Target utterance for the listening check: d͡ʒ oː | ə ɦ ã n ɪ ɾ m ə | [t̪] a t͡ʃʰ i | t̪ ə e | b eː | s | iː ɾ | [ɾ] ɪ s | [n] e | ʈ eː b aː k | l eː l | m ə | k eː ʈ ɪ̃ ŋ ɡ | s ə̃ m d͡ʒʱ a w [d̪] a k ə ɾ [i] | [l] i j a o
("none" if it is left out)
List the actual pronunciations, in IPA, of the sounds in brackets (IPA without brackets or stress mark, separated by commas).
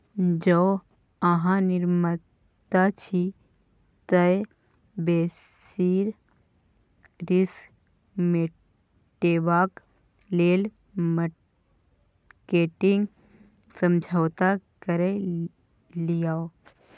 t̪, ɾ, m, t̪, e, l